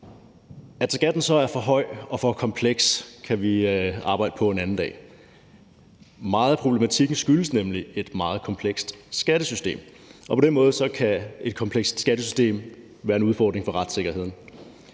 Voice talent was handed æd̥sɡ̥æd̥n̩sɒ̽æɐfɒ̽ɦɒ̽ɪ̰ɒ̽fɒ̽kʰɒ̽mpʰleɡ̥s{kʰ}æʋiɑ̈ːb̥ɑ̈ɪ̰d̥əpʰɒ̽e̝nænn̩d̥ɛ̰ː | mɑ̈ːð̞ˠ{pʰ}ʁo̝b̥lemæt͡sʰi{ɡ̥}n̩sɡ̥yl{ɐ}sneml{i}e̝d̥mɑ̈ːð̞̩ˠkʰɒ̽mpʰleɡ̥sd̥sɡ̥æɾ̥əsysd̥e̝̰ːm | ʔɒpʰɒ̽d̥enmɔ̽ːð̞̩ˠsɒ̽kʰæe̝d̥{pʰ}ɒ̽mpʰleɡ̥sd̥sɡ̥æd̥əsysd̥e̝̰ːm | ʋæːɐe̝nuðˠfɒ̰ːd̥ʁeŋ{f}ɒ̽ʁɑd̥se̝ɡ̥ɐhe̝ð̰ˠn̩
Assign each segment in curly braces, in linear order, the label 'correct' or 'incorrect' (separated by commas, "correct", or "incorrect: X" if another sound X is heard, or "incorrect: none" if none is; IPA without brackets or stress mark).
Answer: correct, correct, correct, incorrect: ə, correct, incorrect: kʰ, correct